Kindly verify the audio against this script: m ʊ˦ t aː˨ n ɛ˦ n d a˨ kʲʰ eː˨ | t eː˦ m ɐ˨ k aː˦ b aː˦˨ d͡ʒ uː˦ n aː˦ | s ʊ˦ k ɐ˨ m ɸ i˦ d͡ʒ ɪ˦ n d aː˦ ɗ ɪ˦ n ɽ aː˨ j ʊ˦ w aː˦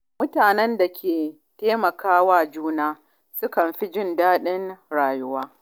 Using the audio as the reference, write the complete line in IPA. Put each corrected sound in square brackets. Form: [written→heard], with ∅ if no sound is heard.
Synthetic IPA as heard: m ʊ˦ t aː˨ n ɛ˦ n d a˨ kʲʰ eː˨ | t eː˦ m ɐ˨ k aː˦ [b→w] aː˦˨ d͡ʒ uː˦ n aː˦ | s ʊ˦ k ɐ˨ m ɸ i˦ d͡ʒ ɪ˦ n d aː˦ ɗ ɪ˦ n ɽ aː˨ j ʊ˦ w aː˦